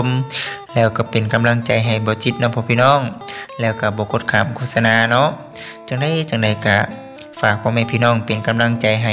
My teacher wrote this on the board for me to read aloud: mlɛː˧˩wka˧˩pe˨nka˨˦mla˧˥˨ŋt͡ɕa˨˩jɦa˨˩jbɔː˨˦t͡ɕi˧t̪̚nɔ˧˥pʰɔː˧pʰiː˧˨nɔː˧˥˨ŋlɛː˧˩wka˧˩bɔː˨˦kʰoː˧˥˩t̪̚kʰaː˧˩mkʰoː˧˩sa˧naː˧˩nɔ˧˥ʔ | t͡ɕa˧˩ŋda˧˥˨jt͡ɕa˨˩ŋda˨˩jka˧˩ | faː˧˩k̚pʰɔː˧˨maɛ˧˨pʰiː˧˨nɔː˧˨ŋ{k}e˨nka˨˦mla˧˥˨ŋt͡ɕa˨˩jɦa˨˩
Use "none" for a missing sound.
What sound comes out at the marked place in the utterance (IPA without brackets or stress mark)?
p